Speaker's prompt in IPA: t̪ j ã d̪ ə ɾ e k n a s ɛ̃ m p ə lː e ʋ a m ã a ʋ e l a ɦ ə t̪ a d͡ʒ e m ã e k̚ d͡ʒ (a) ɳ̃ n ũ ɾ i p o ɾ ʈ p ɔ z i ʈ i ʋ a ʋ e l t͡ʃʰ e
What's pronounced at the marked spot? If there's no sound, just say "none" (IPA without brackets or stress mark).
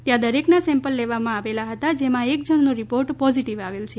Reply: ə